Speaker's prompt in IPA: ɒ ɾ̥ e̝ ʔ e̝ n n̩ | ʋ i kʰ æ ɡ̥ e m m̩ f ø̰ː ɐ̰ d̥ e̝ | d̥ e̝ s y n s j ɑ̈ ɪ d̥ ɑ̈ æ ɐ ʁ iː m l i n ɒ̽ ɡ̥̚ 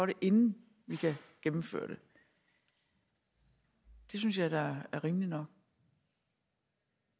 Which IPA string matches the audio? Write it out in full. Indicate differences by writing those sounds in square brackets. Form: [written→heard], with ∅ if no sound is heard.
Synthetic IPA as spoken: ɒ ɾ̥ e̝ ʔ e̝ n n̩ | ʋ i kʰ æ ɡ̥ e m m̩ f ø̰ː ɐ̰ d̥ e̝ | d̥ e̝ s y n s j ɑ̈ ɪ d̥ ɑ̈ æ ɐ ʁ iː m l i n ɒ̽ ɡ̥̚